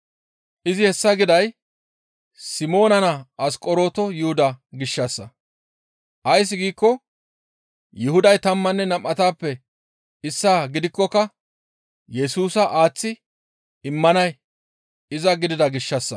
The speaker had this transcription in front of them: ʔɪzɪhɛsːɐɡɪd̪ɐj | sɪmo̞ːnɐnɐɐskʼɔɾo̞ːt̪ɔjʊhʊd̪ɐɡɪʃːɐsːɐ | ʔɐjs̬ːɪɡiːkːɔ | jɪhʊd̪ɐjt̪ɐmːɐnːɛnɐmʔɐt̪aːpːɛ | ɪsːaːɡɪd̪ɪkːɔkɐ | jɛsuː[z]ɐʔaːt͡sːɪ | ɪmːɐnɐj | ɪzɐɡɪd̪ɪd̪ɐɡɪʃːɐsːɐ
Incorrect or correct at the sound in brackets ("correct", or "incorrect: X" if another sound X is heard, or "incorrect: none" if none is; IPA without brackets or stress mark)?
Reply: incorrect: s